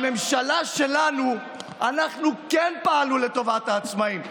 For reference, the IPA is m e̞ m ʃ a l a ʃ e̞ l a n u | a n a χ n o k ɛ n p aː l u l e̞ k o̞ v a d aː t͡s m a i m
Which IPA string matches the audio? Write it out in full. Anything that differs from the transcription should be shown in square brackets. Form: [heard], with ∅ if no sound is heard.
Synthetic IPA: m e̞ m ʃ a l a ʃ e̞ l a n u | a n a χ n [u] k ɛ n p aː l u l e̞ [t] o̞ v a [t] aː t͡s m a i m